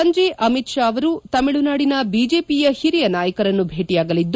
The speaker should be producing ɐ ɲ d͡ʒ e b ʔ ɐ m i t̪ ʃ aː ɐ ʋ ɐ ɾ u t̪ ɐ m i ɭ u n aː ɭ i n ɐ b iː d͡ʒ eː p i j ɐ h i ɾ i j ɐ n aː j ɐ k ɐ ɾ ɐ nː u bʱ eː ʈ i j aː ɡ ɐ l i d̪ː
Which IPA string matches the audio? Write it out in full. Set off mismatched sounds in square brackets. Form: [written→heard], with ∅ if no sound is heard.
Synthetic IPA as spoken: ɐ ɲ d͡ʒ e [b→∅] ʔ ɐ m i t̪ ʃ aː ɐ ʋ ɐ ɾ u t̪ ɐ m i ɭ u n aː [ɭ→ɽ] i n ɐ b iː d͡ʒ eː p i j ɐ h i ɾ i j ɐ n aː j ɐ k ɐ ɾ ɐ nː u bʱ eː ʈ i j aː ɡ ɐ l i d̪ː